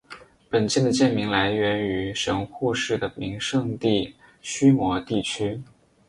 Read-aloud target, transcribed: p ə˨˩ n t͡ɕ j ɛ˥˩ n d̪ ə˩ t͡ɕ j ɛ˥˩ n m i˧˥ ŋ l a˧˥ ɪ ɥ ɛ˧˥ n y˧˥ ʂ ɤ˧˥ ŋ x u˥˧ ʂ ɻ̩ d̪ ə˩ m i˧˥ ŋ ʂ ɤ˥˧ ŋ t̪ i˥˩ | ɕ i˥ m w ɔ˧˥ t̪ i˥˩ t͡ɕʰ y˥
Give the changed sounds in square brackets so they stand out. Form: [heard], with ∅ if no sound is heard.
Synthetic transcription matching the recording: p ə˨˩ n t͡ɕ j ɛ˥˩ n d̪ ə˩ t͡ɕ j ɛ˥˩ n m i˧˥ ŋ l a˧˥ ɪ ɥ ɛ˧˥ n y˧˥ ʂ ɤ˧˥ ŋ x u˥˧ ʂ ɻ̩ d̪ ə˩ m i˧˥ ŋ ʂ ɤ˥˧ ŋ t̪ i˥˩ | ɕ [y˥] m w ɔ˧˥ t̪ i˥˩ t͡ɕʰ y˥